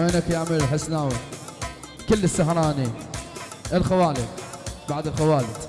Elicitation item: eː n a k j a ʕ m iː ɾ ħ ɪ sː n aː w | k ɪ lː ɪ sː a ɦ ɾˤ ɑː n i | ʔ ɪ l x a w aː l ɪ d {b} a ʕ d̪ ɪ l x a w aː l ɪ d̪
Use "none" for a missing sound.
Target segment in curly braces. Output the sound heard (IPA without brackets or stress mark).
b